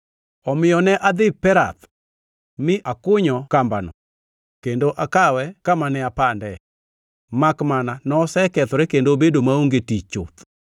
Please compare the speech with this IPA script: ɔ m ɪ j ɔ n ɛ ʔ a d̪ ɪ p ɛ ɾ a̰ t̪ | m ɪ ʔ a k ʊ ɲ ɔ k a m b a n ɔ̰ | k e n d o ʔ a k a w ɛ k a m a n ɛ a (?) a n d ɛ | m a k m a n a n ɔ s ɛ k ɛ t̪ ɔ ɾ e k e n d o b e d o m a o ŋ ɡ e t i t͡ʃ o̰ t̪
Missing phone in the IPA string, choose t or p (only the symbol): p